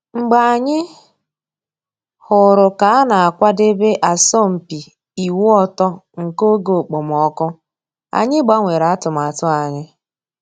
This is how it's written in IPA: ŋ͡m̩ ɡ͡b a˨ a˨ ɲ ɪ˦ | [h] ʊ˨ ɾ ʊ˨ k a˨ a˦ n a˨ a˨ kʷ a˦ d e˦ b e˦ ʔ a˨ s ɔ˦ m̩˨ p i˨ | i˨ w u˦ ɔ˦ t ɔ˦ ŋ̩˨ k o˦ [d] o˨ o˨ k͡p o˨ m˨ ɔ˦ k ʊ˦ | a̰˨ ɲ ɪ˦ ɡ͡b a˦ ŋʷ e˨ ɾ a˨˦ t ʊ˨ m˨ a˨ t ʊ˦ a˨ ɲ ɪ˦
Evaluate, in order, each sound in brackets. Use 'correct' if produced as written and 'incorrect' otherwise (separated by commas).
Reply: correct, incorrect